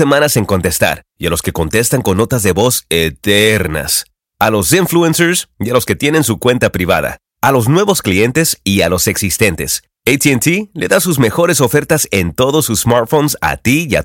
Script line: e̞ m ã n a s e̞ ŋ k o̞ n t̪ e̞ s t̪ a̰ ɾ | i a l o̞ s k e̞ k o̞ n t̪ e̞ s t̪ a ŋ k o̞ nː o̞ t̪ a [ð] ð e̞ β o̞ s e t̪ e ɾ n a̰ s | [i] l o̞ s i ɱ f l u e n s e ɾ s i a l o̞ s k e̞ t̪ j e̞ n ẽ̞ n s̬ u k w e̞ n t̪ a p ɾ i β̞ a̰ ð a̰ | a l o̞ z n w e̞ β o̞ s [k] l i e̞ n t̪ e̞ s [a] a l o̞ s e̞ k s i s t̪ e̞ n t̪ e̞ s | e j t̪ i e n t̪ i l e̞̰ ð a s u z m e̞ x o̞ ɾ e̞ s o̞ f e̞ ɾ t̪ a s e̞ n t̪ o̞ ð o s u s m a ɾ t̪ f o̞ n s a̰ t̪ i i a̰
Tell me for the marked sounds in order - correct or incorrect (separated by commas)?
incorrect, incorrect, correct, incorrect